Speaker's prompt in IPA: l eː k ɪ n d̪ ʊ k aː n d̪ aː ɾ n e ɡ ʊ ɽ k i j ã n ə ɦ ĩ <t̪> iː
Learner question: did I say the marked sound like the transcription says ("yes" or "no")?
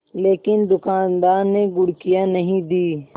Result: no